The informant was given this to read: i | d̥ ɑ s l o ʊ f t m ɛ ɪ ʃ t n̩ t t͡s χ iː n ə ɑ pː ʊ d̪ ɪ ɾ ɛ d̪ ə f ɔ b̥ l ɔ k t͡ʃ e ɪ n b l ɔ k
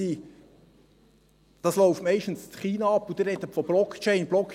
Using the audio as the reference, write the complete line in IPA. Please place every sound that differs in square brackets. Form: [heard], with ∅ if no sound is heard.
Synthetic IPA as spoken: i | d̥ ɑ s l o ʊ f t m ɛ ɪ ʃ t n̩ [s] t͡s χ iː n [ɑ] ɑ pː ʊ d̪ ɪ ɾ ɛ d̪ ə f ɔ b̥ l ɔ k t͡ʃ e ɪ n b l ɔ k